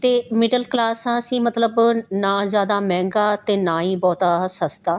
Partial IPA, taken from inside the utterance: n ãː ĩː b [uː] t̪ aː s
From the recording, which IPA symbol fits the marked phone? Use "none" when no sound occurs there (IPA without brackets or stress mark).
ɔː